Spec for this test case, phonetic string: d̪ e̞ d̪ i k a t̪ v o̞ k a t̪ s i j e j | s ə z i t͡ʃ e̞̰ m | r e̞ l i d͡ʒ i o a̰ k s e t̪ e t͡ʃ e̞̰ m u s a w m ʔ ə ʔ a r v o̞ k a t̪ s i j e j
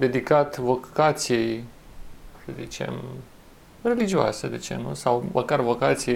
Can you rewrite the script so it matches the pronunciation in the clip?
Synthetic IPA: d̪ e̞ d̪ i k a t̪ v o̞ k a t̪ s i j e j | s ə z i t͡ʃ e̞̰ m | r e̞ l i d͡ʒ i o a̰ s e d̪ e t͡ʃ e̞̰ n u s a w m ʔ ə k a r v o̞ k a t̪ s i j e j